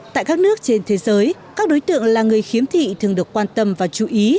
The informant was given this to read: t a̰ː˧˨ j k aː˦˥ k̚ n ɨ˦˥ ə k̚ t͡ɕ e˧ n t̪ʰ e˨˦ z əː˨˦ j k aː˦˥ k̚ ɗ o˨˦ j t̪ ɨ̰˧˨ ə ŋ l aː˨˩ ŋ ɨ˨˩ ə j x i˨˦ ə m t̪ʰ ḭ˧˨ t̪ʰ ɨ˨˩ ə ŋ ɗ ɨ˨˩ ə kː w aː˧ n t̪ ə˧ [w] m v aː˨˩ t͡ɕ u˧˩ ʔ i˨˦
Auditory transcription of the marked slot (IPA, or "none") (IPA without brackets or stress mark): none